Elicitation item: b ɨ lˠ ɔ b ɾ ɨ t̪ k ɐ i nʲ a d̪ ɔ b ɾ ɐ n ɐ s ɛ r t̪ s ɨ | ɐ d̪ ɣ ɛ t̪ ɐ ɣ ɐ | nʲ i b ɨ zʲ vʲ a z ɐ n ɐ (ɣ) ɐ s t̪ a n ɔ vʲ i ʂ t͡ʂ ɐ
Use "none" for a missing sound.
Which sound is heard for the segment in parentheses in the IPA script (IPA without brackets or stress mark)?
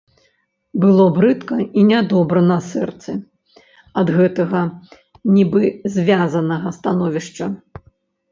ɣ